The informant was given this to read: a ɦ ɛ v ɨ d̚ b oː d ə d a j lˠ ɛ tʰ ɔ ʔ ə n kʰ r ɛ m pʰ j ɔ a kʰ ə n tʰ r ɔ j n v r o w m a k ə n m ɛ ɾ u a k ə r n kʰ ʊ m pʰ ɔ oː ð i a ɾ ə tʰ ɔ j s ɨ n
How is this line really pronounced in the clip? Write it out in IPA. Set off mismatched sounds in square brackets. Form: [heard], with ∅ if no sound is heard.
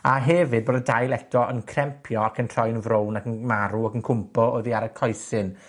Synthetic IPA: a ɦ ɛ v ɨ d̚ b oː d ə d a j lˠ ɛ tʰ ɔ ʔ ə n kʰ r ɛ m pʰ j ɔ a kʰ ə n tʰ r ɔ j n v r o w [n] a k ə n m [a] ɾ u a k ə [∅] n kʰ ʊ m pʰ ɔ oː ð i a ɾ ə [kʰ] ɔ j s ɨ n